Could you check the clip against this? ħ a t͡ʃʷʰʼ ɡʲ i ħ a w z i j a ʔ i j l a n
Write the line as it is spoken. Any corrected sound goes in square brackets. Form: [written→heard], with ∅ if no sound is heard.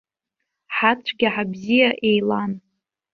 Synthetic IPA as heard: ħ a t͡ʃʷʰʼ ɡʲ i ħ a [w→b] z i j a ʔ [i→e] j l a n